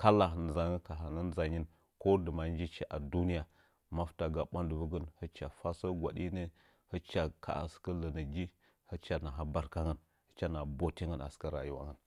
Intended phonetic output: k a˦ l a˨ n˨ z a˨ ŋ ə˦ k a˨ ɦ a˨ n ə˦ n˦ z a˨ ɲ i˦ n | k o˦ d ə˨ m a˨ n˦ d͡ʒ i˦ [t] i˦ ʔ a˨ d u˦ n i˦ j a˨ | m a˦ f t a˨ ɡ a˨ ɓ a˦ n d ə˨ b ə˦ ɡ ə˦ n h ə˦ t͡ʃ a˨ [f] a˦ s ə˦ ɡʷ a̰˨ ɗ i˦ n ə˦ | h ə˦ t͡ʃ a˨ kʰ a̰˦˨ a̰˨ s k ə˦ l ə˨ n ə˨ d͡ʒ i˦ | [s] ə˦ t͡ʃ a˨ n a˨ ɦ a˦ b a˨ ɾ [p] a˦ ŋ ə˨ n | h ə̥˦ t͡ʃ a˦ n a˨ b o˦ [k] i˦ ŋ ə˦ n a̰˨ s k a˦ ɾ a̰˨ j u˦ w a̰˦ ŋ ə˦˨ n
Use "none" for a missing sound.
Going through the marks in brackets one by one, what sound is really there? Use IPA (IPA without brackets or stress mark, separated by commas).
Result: t͡ʃ, f, h, k, t